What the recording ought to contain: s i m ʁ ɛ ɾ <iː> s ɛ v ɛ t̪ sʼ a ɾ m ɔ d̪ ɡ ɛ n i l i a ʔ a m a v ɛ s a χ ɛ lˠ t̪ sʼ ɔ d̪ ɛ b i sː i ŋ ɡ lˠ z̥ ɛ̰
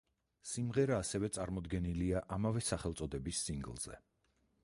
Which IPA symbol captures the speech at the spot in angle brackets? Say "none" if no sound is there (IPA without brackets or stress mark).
aː